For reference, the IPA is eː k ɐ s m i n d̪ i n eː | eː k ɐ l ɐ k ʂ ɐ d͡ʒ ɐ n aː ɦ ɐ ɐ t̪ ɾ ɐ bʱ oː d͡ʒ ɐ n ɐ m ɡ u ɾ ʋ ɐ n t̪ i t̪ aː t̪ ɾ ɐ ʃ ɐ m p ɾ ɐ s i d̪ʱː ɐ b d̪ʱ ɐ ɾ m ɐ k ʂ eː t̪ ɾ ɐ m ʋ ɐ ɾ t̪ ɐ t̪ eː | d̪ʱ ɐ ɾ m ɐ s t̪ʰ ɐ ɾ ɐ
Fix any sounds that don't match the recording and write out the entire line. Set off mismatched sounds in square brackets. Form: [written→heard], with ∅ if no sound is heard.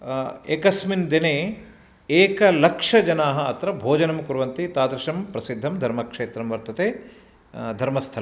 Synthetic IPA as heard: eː k ɐ s m i n d̪ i n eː | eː k ɐ l ɐ k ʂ ɐ d͡ʒ ɐ n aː ɦ ɐ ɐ t̪ ɾ ɐ bʱ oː d͡ʒ ɐ n ɐ m [ɡ→k] u ɾ ʋ ɐ n t̪ i t̪ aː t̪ ɾ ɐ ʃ ɐ m p ɾ ɐ s i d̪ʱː ɐ [b→m] d̪ʱ ɐ ɾ m ɐ k ʂ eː t̪ ɾ ɐ m ʋ ɐ ɾ t̪ ɐ t̪ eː | d̪ʱ ɐ ɾ m ɐ s t̪ʰ ɐ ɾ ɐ